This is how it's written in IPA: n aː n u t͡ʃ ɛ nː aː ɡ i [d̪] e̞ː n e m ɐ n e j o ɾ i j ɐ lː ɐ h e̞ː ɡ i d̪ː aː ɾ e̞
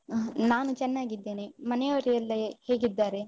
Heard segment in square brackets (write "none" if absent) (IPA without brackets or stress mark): d̪ː